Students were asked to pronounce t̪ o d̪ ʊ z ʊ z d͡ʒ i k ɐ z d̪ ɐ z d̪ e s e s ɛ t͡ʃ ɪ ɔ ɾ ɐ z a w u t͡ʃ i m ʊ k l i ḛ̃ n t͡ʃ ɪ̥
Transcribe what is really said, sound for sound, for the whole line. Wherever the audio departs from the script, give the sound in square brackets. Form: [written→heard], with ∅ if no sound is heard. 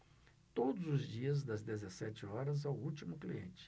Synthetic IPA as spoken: t̪ o d̪ ʊ z ʊ z d͡ʒ i [k→∅] ɐ z d̪ ɐ z d̪ e [s→z] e s ɛ t͡ʃ ɪ ɔ ɾ ɐ z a w u t͡ʃ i m ʊ k l i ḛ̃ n t͡ʃ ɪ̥